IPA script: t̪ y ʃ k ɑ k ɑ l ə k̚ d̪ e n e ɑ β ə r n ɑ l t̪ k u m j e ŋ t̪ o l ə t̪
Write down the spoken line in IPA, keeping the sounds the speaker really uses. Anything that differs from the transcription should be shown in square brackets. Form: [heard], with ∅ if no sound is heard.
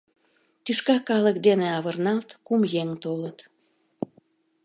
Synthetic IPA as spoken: t̪ y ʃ k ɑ k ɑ l ə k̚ d̪ e n e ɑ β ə r n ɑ l t̪ k u m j e ŋ t̪ o l ə t̪